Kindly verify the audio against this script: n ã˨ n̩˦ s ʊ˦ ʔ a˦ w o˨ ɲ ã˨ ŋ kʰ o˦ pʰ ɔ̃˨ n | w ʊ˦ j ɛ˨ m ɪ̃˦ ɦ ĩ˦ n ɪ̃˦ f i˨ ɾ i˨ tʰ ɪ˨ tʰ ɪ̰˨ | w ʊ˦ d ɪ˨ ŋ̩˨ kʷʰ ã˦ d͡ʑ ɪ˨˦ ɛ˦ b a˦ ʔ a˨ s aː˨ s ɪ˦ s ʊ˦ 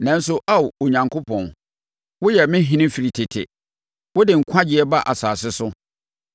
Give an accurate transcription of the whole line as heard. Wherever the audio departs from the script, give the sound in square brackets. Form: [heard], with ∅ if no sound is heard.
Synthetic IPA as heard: n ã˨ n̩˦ s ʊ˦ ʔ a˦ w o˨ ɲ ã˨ ŋ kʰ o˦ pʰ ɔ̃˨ n | w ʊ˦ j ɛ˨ m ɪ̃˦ ɦ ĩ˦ n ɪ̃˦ f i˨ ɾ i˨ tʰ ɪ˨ tʰ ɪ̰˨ | w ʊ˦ d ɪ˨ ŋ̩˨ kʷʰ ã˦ d͡ʑ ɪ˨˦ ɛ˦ b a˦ ʔ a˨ s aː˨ s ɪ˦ s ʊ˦